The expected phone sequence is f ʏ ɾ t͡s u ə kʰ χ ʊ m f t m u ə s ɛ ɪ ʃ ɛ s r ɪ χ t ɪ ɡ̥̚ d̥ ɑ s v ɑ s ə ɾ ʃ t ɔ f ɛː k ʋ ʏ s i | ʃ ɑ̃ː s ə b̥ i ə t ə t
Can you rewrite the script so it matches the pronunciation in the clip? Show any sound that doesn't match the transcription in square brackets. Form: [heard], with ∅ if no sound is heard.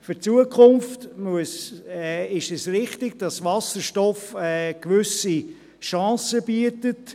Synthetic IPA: f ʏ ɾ t͡s u ə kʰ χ ʊ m f t m u ə s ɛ ɪ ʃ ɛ s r ɪ χ t ɪ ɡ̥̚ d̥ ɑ s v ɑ s ə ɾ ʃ t ɔ f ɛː k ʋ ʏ s i | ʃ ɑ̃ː s ə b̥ i ə t ə t

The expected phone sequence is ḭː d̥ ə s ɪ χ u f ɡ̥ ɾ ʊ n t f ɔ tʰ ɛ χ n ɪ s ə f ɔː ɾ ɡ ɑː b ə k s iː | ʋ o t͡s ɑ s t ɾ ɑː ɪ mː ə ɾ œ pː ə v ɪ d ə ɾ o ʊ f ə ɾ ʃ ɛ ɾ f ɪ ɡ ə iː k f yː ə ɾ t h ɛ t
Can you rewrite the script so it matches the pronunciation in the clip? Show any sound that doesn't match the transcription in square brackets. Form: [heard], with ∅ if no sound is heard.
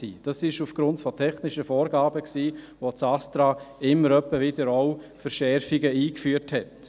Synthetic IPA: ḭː d̥ [ɑ] s ɪ [ʃ] u f ɡ̥ ɾ ʊ n t f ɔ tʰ ɛ χ n ɪ [ʃ] ə f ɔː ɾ ɡ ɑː b ə k s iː | ʋ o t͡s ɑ s t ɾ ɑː ɪ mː ə ɾ œ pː ə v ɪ d ə ɾ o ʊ f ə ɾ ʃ ɛ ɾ f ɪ ɡ ə iː k f yː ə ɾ t h ɛ t

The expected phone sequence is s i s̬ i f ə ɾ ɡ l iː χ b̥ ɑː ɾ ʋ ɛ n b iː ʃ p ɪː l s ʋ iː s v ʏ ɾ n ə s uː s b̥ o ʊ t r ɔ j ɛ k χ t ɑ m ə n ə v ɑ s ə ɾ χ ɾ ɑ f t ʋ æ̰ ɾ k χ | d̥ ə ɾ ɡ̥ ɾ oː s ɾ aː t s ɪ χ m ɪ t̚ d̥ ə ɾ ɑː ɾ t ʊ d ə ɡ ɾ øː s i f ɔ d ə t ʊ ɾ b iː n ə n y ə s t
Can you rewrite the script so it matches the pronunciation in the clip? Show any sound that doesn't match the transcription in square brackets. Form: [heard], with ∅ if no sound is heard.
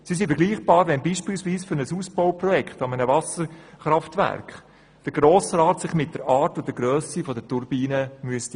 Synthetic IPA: s i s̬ i f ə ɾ ɡ l iː χ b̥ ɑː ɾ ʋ ɛ n b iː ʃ p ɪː l s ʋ iː s [f] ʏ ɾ n ə s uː s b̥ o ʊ [p] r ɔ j ɛ k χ t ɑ m ə n ə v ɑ s ə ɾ χ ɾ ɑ f t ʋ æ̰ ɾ k χ | d̥ ə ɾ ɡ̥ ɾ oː s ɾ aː t s ɪ χ m ɪ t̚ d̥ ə ɾ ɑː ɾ t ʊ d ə ɡ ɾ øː s i f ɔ d ə t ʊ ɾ b iː n ə [m] y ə s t

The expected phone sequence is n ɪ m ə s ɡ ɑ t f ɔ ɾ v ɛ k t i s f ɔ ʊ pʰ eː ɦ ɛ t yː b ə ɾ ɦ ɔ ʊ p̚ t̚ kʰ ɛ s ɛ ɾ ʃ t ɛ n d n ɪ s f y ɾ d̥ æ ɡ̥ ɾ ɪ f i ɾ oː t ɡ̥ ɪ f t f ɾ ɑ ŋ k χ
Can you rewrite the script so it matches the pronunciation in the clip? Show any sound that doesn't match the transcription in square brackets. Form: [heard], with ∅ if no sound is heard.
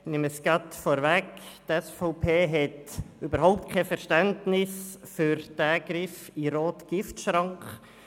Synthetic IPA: n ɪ m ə s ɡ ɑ t f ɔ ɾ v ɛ k t [ɛ] s f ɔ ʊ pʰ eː ɦ ɛ t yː b ə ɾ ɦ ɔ ʊ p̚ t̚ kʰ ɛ [f] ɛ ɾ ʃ t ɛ n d n ɪ s f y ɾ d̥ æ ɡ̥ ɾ ɪ f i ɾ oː t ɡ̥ ɪ f t [ʃ] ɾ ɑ ŋ k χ

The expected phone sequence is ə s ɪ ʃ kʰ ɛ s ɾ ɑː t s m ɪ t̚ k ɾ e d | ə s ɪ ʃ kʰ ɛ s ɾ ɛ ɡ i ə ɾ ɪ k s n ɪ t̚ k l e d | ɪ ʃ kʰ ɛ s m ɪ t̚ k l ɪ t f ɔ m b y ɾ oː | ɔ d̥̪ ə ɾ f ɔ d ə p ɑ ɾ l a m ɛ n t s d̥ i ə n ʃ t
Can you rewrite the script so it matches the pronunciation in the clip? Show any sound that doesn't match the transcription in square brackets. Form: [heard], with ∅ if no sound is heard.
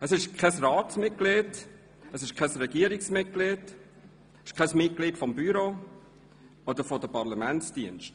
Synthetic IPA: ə s ɪ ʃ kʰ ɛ s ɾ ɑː t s m ɪ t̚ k [l] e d | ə s ɪ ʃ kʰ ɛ s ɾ ɛ ɡ i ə ɾ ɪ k s [m] ɪ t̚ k l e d | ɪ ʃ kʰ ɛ s m ɪ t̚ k l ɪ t f ɔ m b y ɾ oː | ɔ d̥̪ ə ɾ f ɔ d ə p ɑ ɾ l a m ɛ n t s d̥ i ə n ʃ t

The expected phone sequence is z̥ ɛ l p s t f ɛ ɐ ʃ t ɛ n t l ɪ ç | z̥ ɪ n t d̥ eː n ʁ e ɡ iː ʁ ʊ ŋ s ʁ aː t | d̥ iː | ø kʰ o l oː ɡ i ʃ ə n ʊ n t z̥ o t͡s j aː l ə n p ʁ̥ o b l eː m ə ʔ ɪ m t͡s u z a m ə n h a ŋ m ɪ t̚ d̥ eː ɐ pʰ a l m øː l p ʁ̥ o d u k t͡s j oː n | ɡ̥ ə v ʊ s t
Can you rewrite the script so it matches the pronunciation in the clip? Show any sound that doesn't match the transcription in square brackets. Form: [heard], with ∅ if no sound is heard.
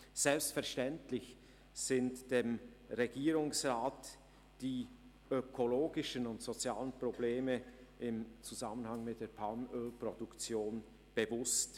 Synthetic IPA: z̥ ɛ l p s t f ɛ ɐ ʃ t ɛ n t l ɪ ç | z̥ ɪ n t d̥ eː [m] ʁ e ɡ iː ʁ ʊ ŋ s ʁ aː t | d̥ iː | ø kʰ o l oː ɡ [ɪ] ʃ ə n ʊ n t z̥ o t͡s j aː l ə n p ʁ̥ o b l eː m ə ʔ ɪ m t͡s u z a m ə n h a ŋ m ɪ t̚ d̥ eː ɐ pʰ a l m øː l p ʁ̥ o d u k t͡s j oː n | [b̥] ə v ʊ s t

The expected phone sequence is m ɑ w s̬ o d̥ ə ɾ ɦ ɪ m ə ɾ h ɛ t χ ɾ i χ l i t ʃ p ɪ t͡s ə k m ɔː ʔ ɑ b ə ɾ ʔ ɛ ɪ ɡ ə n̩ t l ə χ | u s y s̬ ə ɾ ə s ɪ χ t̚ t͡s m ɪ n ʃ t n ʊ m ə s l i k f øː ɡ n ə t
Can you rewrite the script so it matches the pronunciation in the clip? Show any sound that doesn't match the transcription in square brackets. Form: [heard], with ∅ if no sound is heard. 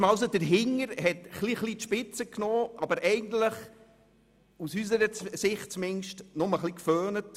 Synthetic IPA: m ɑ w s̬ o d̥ ə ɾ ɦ ɪ [ŋ] ə ɾ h ɛ t χ [l] i χ l i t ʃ p ɪ t͡s ə k [n] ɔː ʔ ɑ b ə ɾ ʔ ɛ ɪ ɡ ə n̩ t l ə χ | u s y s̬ ə ɾ ə s ɪ χ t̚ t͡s m ɪ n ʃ t n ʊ m ə [χ] l i k f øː [∅] n ə t

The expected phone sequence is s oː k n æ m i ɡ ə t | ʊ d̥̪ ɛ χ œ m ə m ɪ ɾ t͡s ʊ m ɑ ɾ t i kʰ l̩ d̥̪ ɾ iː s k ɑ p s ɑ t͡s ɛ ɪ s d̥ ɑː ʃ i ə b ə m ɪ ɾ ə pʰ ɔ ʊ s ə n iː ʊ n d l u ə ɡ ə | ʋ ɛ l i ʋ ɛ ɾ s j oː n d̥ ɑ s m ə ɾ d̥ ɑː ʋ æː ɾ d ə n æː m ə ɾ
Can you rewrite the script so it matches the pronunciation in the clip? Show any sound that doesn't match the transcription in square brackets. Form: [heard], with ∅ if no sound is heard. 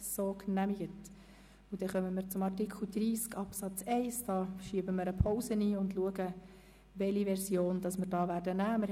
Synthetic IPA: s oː k n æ m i ɡ ə t | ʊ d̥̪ ɛ χ œ m ə m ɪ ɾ t͡s ʊ m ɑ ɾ t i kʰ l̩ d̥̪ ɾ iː s k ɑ p s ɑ t͡s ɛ ɪ s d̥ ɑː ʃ i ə b ə m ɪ ɾ ə pʰ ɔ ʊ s ə n iː ʊ n d l u ə ɡ ə | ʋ ɛ l i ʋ ɛ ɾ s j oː n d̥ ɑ s m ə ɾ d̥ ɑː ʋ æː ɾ d ə n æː m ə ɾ

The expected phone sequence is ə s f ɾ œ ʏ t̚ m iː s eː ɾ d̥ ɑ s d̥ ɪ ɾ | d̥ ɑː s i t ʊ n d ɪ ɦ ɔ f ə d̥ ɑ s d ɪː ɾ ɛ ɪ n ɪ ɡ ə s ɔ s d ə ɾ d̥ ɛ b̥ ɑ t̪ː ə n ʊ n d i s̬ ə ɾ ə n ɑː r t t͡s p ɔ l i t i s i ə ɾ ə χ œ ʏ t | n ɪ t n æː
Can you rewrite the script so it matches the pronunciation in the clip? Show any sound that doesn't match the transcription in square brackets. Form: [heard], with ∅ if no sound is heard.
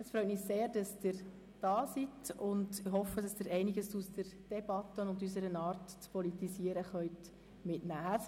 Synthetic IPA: ə s f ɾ œ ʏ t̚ m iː s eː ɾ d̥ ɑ s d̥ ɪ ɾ | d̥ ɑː s i t ʊ n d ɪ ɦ ɔ f ə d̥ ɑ s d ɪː ɾ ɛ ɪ n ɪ ɡ ə s [u] s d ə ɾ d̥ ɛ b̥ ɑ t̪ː ə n ʊ n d [y] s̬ ə ɾ ə n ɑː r t t͡s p ɔ l i t i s i ə ɾ ə χ œ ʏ t | [m] ɪ t n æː

